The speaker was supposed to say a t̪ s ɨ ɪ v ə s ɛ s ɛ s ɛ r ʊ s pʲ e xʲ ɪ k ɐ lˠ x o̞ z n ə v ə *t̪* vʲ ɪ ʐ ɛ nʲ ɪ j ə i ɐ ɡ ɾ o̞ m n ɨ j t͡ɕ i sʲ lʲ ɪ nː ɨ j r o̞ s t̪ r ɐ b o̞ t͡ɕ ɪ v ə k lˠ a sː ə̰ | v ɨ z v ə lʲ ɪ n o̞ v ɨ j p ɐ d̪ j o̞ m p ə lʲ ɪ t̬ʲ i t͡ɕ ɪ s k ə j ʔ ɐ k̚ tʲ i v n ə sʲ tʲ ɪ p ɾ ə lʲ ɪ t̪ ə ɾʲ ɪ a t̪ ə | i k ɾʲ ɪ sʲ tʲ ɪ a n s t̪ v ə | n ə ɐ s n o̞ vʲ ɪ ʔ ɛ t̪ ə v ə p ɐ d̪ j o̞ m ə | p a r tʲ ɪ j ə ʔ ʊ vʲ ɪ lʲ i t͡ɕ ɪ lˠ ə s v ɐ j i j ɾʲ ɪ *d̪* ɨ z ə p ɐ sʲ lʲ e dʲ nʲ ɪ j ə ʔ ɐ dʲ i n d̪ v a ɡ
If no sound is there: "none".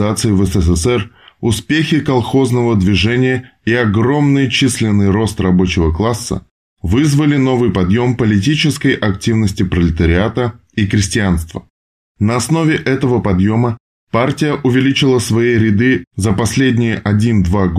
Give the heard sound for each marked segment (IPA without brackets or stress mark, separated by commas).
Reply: d̪, d̪